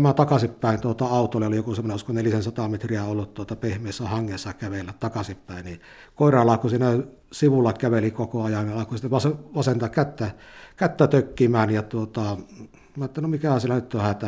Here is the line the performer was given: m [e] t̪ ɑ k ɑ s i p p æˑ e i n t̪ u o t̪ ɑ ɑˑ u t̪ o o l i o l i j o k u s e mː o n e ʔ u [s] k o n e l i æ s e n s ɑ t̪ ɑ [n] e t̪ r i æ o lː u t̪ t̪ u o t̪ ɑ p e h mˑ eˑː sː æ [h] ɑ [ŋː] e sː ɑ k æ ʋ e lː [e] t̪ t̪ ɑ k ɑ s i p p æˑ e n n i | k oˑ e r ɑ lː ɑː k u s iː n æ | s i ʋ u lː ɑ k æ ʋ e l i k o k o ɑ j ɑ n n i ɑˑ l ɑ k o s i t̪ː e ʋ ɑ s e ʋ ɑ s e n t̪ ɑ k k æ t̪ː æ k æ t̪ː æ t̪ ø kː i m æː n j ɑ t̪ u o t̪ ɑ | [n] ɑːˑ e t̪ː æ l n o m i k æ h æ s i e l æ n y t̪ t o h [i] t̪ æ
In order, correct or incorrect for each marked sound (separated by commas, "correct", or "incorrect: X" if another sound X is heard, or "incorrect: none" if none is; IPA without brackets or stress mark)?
incorrect: æ, correct, incorrect: m, correct, correct, incorrect: æ, incorrect: m, incorrect: æ